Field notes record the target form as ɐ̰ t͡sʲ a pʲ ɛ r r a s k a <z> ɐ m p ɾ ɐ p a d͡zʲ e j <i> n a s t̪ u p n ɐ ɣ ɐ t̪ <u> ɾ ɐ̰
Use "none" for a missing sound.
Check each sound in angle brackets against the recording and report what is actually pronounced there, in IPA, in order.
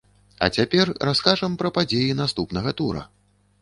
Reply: ʐ, i, u

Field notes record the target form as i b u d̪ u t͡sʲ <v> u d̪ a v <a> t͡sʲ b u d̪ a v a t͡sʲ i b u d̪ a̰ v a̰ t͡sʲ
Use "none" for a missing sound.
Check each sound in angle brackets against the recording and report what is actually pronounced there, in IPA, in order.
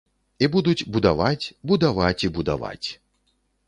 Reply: b, a

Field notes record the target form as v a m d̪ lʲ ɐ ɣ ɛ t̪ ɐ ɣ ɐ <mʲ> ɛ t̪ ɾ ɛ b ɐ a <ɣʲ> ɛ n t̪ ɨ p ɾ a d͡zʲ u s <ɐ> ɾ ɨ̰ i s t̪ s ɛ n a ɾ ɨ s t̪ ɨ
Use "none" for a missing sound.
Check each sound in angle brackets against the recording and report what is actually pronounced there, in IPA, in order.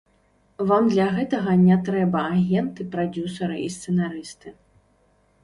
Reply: nʲ, ɣʲ, ɐ

